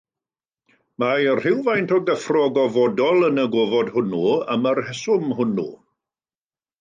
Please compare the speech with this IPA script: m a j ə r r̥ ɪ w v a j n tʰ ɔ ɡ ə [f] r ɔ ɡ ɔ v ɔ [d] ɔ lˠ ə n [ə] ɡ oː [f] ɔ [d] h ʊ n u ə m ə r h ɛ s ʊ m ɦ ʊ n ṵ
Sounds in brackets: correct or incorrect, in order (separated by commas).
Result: correct, correct, correct, incorrect, correct